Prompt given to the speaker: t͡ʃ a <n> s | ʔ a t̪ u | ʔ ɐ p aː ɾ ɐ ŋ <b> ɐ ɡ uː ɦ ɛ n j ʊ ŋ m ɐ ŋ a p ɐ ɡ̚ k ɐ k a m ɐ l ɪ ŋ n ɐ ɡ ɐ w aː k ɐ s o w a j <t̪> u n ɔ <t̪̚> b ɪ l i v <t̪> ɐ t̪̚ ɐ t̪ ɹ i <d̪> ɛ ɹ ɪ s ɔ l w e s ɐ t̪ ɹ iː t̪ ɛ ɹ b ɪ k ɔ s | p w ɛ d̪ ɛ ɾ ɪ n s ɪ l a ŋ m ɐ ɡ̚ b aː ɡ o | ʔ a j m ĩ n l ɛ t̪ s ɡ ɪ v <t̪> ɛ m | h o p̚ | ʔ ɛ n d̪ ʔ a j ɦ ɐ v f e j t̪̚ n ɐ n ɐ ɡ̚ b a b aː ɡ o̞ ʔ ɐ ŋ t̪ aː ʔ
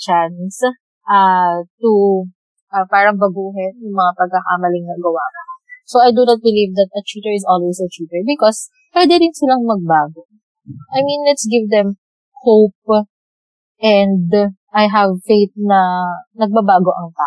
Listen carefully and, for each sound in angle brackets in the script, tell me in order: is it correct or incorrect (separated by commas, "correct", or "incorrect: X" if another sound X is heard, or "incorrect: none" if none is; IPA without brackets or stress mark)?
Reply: correct, correct, incorrect: d̪, correct, incorrect: d̪, incorrect: t̪, incorrect: d̪